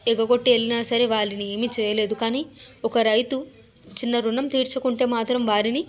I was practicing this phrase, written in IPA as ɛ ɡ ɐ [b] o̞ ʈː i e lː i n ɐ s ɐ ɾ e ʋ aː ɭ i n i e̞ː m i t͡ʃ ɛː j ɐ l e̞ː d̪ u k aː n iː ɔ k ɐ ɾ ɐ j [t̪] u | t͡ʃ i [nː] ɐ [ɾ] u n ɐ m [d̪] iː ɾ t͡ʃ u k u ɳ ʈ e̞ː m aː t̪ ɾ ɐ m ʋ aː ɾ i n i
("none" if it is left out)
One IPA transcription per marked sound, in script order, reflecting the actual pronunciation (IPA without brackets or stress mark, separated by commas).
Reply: ɡ, t̪, nː, ɾ, t̪